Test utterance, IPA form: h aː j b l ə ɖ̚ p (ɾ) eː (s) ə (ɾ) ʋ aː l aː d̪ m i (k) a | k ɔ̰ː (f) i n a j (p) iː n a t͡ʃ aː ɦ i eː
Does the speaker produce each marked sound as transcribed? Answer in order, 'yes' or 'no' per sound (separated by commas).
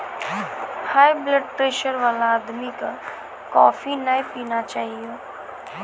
yes, no, yes, yes, yes, yes